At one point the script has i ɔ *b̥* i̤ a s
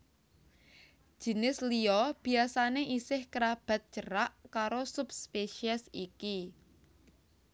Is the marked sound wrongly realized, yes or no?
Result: no